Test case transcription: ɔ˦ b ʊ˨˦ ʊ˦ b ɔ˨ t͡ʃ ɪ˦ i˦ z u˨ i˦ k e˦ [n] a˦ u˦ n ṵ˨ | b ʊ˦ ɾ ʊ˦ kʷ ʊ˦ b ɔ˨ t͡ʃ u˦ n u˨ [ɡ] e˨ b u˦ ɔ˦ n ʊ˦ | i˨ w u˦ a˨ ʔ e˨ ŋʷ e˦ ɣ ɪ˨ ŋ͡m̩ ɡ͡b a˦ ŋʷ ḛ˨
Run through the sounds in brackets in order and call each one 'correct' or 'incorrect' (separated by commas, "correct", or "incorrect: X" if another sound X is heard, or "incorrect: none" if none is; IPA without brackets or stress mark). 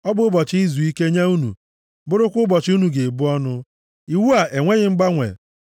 incorrect: ɲ, correct